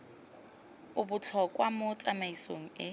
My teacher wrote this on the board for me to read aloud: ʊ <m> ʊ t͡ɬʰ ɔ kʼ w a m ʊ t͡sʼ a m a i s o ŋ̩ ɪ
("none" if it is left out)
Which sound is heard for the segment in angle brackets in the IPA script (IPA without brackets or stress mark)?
b